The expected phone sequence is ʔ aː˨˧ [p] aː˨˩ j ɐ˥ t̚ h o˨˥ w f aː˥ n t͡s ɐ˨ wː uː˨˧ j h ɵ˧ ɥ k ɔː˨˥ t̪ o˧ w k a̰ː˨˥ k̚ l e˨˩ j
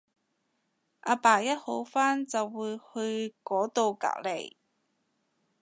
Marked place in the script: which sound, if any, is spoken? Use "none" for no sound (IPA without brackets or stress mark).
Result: p